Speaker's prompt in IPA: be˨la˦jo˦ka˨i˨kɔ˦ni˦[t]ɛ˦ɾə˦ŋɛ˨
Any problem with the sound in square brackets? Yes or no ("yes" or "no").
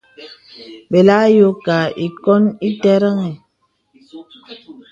no